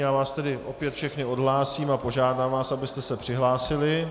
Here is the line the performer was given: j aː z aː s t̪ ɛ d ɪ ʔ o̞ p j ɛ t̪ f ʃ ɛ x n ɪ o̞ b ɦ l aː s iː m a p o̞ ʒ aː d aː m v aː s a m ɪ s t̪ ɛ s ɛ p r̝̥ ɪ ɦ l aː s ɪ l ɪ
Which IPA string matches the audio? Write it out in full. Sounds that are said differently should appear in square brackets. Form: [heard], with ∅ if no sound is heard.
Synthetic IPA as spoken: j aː [v] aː s t̪ ɛ d ɪ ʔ o̞ p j ɛ t̪ f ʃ ɛ x n ɪ o̞ [d] ɦ l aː s iː m a p o̞ ʒ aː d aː m v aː s a [b] ɪ s t̪ ɛ s ɛ p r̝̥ ɪ ɦ l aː s ɪ l ɪ